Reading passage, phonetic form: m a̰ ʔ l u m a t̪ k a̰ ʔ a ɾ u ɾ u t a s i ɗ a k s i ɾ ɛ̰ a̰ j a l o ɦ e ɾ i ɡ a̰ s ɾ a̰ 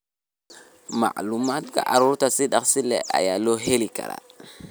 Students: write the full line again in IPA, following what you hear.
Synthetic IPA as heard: m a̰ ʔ l u m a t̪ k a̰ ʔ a ɾ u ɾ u t a s i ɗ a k s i l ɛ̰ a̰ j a l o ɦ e l i k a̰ ɾ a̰